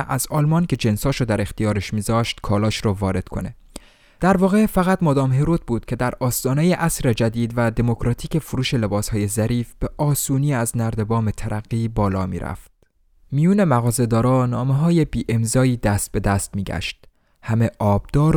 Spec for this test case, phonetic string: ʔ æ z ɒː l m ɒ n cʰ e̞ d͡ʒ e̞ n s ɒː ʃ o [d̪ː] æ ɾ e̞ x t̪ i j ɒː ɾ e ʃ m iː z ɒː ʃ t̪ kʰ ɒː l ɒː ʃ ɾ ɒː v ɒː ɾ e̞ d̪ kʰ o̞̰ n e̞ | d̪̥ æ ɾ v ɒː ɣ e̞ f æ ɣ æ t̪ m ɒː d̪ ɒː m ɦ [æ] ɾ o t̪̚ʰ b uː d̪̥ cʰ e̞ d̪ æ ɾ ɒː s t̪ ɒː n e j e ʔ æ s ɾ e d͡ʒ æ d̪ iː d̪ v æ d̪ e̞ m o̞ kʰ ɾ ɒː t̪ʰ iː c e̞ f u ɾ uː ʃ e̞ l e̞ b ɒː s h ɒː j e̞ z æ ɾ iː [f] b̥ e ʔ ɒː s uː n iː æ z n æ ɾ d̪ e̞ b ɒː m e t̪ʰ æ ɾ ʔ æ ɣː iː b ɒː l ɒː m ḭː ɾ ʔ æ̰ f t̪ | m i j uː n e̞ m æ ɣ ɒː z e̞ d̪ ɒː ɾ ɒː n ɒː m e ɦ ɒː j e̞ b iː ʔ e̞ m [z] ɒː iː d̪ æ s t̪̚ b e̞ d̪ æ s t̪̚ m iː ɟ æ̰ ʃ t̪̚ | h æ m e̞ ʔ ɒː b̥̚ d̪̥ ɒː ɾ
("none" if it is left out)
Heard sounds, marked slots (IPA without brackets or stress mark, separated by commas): d̪, e, f, z